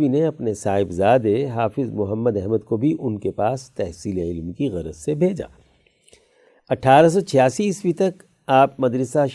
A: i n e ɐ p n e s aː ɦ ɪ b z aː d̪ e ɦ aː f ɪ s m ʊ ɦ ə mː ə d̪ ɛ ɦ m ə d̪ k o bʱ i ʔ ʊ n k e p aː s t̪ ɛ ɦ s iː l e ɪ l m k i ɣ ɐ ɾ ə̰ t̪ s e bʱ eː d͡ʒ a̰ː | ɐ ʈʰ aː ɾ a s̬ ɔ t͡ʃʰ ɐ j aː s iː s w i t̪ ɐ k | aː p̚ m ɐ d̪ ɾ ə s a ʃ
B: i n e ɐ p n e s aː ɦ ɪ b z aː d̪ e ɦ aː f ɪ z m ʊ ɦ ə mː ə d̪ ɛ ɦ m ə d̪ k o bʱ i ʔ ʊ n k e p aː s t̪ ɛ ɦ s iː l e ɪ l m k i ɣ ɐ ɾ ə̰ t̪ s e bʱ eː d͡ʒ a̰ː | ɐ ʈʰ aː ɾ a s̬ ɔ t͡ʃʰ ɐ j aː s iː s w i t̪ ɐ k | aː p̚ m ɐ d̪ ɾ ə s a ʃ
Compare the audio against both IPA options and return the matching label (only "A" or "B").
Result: B